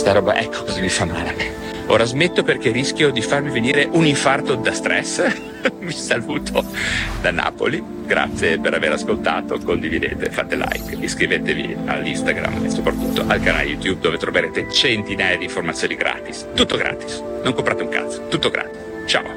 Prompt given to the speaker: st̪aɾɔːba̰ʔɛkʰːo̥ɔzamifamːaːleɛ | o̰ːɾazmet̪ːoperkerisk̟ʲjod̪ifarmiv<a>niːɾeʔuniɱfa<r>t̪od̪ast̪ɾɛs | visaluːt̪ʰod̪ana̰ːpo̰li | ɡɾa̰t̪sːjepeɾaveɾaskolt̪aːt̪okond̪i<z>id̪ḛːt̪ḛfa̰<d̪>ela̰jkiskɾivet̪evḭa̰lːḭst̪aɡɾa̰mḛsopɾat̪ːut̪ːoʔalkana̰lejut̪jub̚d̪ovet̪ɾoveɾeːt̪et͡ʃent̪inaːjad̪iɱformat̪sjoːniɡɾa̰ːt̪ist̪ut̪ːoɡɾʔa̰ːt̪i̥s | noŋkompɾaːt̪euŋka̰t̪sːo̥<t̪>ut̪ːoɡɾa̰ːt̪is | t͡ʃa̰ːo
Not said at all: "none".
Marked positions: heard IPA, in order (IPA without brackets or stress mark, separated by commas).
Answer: e, r, v, t̪, t̪